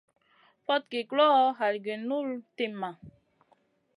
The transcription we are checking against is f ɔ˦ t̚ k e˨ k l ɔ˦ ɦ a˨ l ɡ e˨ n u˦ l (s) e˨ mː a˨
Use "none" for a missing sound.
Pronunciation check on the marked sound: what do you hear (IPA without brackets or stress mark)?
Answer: t